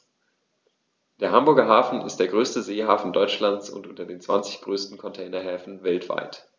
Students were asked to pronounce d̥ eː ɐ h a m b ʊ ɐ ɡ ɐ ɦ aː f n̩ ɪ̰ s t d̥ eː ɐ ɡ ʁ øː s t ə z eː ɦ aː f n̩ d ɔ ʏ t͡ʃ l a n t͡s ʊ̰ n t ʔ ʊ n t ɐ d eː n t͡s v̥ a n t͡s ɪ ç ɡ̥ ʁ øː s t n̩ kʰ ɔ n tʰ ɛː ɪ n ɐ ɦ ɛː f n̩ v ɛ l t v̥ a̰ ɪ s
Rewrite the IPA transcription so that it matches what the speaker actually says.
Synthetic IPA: d̥ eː ɐ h a m b ʊ ɐ ɡ ɐ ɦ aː f n̩ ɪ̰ s t d̥ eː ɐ ɡ ʁ øː s t ə z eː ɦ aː f n̩ d ɔ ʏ t͡ʃ l a n t͡s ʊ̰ n t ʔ ʊ n t ɐ d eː n t͡s v̥ a n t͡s ɪ ç ɡ̥ ʁ øː s t n̩ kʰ ɔ n tʰ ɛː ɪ n ɐ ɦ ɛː f n̩ v ɛ l t v̥ a̰ ɪ t